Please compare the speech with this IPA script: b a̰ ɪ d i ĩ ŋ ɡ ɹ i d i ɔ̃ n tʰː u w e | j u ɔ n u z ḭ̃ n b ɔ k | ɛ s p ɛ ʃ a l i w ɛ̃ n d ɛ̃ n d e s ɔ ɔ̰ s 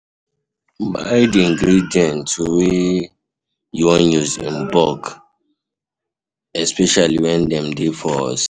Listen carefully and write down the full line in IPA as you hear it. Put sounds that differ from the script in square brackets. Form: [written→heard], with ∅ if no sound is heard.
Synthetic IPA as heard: b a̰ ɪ d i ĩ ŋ ɡ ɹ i d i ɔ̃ n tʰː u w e | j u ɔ n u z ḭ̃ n b ɔ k | ɛ s p ɛ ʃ a l i w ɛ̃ n d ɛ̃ [n→m] d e [s→f] ɔ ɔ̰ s